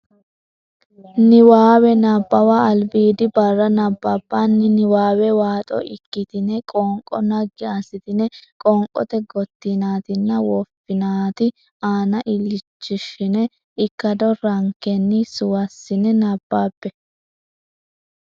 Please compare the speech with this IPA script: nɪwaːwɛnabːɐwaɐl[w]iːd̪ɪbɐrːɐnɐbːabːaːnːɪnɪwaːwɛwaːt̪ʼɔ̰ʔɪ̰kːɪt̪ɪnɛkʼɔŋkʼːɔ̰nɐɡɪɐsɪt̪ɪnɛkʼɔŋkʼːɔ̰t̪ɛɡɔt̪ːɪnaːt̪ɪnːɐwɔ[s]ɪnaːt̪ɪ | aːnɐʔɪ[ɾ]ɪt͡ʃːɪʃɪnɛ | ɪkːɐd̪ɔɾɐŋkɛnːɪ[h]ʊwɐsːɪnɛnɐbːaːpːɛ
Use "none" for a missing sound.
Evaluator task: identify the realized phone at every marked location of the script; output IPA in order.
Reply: b, f, l, s

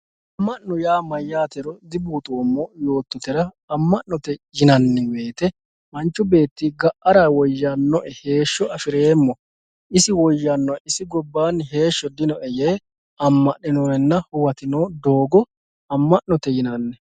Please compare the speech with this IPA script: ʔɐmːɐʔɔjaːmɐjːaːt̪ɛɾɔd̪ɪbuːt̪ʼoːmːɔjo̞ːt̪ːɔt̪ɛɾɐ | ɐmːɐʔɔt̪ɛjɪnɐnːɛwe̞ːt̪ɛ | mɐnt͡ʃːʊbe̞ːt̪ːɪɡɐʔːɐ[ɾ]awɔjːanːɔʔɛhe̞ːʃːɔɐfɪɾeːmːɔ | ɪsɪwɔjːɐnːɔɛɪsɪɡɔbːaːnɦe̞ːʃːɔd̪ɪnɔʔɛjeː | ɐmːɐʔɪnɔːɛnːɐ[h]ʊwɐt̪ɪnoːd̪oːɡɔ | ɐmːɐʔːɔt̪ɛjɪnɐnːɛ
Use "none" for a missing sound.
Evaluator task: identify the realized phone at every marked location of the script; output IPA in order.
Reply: ɾ, h

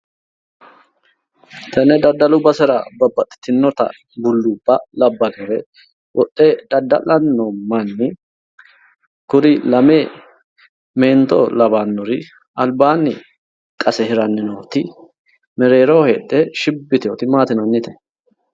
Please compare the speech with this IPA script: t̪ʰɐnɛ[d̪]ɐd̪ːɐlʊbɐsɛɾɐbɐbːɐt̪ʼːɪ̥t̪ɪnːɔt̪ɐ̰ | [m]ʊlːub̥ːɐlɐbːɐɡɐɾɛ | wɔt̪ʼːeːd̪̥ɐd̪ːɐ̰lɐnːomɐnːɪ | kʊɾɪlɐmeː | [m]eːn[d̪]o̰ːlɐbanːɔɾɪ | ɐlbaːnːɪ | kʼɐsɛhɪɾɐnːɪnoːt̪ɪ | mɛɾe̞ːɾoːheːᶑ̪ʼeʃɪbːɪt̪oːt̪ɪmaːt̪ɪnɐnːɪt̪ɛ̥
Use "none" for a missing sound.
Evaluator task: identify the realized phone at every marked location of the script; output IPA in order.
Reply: d̪, b, m, t̪

